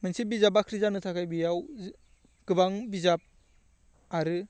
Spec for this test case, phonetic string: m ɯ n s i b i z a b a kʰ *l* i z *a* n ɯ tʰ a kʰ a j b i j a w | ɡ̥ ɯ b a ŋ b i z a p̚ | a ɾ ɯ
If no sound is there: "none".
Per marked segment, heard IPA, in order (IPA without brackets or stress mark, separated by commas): ɾ, a